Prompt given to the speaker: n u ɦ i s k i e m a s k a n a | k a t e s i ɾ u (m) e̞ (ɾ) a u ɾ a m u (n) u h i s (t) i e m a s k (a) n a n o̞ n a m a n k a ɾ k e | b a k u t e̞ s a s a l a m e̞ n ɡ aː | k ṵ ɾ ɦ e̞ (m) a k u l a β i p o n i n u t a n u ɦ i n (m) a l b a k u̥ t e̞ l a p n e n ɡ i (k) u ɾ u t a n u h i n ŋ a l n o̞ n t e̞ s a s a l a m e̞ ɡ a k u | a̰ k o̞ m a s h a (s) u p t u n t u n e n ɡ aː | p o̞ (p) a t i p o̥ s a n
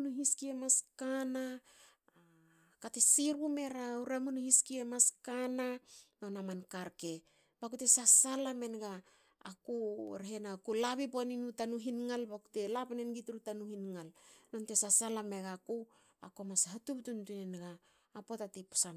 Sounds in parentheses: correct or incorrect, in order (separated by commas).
correct, correct, correct, incorrect, correct, incorrect, incorrect, incorrect, incorrect, incorrect